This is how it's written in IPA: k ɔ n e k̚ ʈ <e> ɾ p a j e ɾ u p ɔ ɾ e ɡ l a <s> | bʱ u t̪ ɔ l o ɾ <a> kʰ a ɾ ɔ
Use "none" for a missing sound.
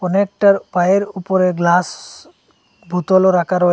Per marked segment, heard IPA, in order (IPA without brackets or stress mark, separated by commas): a, s, a